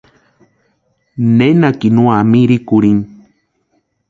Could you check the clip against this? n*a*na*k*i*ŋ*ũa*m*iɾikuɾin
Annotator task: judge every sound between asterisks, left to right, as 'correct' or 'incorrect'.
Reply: incorrect: e, correct, incorrect: n, correct

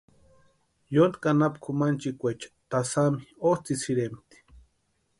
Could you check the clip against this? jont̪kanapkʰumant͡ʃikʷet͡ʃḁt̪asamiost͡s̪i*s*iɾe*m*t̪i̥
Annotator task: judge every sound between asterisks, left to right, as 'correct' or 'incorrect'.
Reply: correct, correct

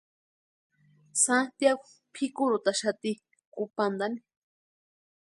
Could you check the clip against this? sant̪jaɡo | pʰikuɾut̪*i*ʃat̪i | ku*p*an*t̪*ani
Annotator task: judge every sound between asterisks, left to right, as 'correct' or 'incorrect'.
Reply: incorrect: a, correct, incorrect: d̪

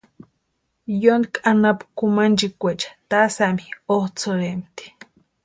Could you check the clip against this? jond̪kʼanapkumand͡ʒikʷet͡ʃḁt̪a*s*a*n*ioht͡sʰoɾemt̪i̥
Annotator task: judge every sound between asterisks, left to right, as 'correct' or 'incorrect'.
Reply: correct, incorrect: m

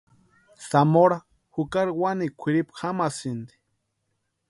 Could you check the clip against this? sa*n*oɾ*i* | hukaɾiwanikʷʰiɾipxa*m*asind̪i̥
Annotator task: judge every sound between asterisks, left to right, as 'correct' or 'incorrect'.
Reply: incorrect: m, incorrect: a, correct

